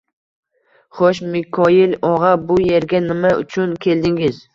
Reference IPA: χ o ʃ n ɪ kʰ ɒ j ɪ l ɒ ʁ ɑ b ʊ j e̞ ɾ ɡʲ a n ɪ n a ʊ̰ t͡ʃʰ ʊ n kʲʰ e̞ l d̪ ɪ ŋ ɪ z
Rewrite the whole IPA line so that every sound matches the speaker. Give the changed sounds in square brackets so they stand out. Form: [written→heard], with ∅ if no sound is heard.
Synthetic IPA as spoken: χ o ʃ [n→m] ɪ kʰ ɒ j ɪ l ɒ ʁ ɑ b ʊ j e̞ ɾ ɡʲ a n ɪ [n→m] a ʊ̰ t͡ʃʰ ʊ n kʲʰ e̞ l d̪ ɪ ŋ ɪ z